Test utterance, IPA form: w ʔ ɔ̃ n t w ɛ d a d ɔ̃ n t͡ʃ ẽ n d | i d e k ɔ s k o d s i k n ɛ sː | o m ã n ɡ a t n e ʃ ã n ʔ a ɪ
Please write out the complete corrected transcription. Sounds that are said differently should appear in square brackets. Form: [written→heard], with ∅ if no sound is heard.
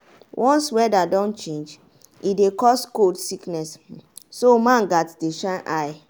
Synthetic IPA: w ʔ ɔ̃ n [t→s] w ɛ d a d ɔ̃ n t͡ʃ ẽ n [d→d͡ʒ] | i d e k ɔ s k o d s i k n ɛ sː | o m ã n ɡ a t [n→d] e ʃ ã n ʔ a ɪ